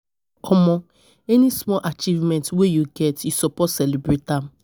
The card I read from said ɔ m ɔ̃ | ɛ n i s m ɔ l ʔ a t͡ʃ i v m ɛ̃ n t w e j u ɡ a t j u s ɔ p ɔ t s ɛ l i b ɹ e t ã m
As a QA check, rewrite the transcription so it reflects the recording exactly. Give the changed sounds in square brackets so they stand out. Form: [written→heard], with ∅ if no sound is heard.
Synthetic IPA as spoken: ɔ m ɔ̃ | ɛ n i s m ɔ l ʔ a t͡ʃ i v m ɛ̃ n t w e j u ɡ [a→ɛ] t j u s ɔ p ɔ t s ɛ l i b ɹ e t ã m